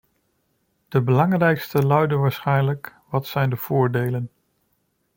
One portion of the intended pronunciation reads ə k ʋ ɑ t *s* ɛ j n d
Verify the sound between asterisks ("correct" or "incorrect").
correct